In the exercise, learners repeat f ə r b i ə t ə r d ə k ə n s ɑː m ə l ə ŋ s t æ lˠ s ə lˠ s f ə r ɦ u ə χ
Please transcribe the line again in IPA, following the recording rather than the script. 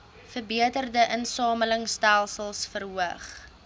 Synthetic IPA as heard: f ə r b i ə t ə r d ə ʔ ə n s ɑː m ə l ə ŋ s t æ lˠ s ə lˠ s f ə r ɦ u ə χ